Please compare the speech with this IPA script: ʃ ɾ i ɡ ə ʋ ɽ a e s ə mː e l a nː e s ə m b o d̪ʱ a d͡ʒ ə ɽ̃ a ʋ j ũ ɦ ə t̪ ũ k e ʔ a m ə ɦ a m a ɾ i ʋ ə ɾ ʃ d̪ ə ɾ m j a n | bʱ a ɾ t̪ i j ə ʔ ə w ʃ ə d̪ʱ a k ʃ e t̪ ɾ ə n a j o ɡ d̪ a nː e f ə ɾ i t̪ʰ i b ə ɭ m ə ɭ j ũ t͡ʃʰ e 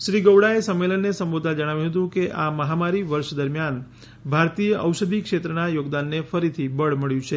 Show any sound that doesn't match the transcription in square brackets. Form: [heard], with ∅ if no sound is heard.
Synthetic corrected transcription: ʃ ɾ i ɡ ə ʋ ɽ a e s ə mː e l [ə] nː e s ə m b o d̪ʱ a d͡ʒ ə ɽ̃ a ʋ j ũ ɦ ə t̪ ũ k e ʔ a m ə ɦ a m a ɾ i ʋ ə ɾ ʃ d̪ ə ɾ m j a n | bʱ a ɾ t̪ i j ə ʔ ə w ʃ ə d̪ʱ [i] k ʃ e t̪ ɾ ə n a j o ɡ d̪ a nː e f ə ɾ i t̪ʰ i b ə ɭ m ə ɭ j ũ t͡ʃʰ e